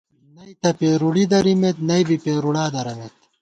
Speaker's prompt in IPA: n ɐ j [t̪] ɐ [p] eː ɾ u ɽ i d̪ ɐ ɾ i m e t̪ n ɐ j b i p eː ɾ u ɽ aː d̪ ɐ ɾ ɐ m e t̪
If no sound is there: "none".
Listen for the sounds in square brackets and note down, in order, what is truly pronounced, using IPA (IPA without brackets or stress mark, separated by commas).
t̪, p